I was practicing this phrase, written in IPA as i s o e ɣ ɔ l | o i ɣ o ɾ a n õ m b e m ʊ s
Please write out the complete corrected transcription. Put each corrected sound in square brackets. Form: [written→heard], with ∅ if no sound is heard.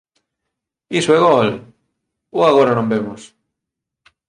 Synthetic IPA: i s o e ɣ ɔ l | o [i→a] ɣ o ɾ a n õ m b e m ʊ s